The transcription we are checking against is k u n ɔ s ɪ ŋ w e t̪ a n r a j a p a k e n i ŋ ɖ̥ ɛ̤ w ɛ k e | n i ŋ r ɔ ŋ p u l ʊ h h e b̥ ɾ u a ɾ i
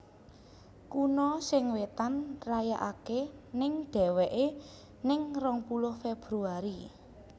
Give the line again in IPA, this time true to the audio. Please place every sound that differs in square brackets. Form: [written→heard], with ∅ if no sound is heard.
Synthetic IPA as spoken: k u n ɔ s ɪ ŋ w e t̪ a n r a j a [p→ʔ] a k e n [i→ɪ] ŋ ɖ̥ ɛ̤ w ɛ [k→ʔ] e | n [i→ɪ] ŋ r ɔ ŋ p u l ʊ h [h→f] e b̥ ɾ u a ɾ i